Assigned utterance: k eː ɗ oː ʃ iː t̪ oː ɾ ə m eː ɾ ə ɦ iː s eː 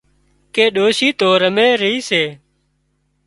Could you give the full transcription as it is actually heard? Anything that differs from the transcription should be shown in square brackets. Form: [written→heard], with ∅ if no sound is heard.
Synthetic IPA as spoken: k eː ɗ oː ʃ iː t̪ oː ɾ ə m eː ɾ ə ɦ iː s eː